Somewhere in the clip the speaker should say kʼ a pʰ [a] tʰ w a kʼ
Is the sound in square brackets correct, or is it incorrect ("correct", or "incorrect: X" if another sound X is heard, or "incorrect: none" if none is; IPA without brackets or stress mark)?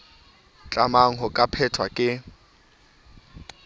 incorrect: ɛ